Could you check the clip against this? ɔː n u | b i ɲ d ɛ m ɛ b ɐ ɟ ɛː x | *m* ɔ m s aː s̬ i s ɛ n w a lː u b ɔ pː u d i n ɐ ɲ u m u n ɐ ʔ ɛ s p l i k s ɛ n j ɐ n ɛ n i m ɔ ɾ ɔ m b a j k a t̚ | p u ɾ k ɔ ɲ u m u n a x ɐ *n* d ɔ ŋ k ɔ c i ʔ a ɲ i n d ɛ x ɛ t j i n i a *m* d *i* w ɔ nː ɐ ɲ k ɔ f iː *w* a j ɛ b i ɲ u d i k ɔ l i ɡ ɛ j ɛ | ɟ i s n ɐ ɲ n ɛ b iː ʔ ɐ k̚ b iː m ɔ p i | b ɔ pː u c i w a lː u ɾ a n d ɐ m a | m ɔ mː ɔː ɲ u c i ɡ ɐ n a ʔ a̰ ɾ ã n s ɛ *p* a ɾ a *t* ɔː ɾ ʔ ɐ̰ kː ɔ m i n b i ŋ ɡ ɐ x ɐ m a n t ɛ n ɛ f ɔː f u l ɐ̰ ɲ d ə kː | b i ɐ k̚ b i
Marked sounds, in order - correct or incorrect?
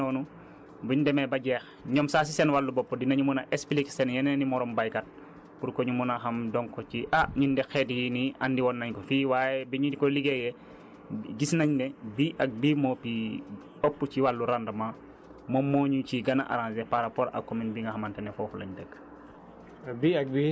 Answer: incorrect, incorrect, incorrect, correct, correct, correct, incorrect

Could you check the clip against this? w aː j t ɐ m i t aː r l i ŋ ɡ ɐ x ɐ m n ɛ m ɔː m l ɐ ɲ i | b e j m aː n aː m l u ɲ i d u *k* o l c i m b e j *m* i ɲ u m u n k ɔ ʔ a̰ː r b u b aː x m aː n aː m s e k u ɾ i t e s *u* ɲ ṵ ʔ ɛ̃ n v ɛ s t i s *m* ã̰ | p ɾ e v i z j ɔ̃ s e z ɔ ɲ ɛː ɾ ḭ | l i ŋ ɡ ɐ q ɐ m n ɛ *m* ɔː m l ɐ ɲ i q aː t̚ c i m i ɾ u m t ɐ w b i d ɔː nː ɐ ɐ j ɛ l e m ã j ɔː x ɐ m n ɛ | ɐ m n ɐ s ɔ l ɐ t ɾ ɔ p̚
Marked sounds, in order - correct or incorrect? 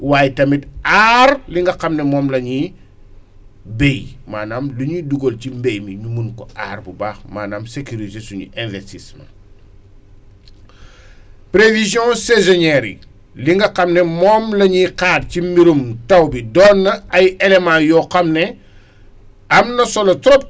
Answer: incorrect, correct, correct, correct, correct

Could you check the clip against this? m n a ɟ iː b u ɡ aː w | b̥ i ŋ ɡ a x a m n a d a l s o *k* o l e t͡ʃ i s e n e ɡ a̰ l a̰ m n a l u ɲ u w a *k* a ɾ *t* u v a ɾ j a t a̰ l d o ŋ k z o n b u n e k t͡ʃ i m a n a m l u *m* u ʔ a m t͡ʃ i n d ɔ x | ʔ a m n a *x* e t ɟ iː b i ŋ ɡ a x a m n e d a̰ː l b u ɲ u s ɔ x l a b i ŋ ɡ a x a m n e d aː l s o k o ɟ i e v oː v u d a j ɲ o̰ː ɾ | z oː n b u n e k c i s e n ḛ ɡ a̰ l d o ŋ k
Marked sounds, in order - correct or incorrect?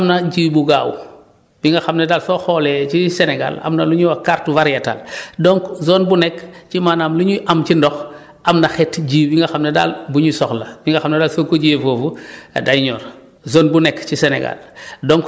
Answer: incorrect, correct, correct, incorrect, correct

